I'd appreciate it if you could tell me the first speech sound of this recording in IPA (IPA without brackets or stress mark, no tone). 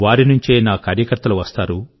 ʋ